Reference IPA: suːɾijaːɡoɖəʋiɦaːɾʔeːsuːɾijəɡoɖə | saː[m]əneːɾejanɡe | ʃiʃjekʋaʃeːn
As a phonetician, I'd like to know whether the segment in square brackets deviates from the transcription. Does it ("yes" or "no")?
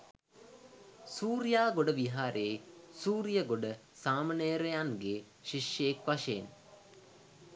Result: no